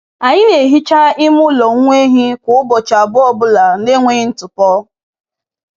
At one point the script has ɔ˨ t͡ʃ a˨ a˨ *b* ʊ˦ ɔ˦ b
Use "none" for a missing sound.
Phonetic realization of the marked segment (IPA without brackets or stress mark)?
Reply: b